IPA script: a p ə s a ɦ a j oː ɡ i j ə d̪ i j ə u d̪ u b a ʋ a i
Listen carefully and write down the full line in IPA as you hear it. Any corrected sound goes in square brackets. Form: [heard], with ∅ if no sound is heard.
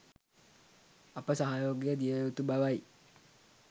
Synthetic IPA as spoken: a p ə s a ɦ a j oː ɡ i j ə d̪ i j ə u [t̪] u b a ʋ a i

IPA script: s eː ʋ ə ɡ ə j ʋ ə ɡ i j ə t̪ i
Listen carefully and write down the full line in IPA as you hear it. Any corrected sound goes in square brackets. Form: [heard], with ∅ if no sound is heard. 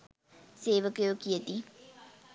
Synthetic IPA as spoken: s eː ʋ ə [k] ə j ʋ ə [k] i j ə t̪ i

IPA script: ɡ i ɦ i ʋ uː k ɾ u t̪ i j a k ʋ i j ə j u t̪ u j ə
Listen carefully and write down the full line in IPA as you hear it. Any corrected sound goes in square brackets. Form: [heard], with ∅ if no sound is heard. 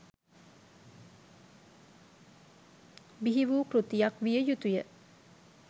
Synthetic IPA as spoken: [b] i ɦ i ʋ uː k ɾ u t̪ i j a k ʋ i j ə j u t̪ u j ə

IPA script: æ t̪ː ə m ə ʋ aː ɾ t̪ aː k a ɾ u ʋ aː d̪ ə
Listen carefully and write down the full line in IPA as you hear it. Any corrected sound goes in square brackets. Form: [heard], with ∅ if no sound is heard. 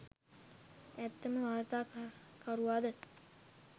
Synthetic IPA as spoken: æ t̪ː ə m ə ʋ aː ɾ t̪ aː k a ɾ u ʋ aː d̪ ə

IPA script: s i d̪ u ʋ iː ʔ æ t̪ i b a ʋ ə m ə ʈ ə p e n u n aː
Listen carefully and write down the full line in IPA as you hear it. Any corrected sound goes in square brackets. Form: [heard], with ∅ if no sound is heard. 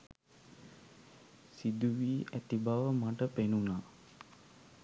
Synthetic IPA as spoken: s i d̪ u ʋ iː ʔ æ t̪ i b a ʋ ə m [a] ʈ ə p e n u n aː

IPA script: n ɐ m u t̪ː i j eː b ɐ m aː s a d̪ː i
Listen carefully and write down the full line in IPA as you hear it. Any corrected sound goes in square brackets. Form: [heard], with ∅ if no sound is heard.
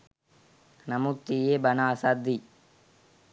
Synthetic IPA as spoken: n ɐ m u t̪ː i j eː b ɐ [n] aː s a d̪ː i

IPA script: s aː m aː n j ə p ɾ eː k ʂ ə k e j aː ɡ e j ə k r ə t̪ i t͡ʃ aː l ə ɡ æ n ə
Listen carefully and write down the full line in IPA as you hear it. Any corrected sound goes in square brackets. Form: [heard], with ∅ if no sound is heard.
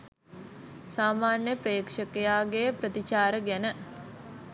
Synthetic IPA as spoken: s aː m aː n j ə p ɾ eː k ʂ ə k e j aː ɡ e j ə [p] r ə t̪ i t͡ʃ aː [ɾ] ə ɡ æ n ə

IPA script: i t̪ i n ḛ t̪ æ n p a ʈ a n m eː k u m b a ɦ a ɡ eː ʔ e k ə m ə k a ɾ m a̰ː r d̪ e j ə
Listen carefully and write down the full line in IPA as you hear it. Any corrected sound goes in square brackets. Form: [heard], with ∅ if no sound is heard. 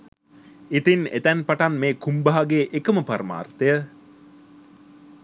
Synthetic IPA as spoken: i t̪ i n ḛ t̪ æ n p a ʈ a n m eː k u m b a ɦ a ɡ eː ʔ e k ə m ə [p] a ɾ m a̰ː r [t̪] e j ə

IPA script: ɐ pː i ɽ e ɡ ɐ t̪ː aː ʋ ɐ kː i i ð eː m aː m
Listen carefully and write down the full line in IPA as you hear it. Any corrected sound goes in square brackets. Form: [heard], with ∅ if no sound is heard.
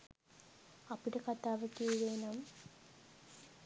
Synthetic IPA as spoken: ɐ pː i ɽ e [k] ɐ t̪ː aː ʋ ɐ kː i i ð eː [n] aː m

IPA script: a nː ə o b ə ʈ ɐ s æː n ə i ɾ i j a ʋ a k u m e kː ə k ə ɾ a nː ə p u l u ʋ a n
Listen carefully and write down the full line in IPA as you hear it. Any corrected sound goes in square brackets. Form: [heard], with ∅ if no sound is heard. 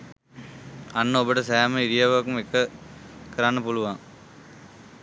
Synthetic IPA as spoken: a nː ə o b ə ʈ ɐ s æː [m] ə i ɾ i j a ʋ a k u m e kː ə k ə ɾ a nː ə p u l u ʋ a [ŋ]

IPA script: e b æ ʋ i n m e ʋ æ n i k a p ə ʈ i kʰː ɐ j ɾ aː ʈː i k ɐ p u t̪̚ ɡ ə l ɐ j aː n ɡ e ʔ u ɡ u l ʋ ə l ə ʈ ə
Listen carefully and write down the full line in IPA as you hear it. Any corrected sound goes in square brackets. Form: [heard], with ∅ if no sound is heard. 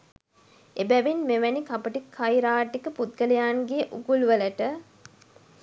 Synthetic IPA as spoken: e b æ ʋ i n m e ʋ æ n i k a p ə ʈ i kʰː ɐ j ɾ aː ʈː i k [ə] p u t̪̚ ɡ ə l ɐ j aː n ɡ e ʔ u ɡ u l ʋ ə l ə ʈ ə

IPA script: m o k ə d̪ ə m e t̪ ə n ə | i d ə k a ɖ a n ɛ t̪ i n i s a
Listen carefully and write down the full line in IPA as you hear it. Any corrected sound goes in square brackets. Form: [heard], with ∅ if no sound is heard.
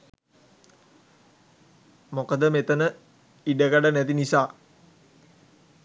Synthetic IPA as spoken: m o k ə d̪ ə m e t̪ ə n ə | i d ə k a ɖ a n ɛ t̪ i n i s a

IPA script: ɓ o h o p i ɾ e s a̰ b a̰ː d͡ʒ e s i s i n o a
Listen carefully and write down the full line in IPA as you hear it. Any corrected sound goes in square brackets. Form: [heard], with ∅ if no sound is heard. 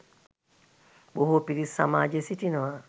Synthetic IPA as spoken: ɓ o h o p i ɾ [i] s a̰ [m] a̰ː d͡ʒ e s i [t] i n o a

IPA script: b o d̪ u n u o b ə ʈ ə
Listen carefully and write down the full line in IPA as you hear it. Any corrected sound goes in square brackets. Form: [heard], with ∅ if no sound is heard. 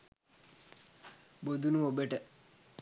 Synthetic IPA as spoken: b o d̪ u n u o b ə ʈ ə

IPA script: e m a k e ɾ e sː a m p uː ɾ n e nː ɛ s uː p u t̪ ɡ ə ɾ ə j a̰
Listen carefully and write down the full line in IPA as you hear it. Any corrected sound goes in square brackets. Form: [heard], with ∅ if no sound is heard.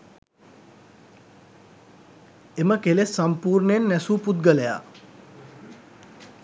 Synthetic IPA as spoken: e m [ə] k e [l] e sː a m p uː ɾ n e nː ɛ s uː p u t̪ ɡ ə [l] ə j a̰

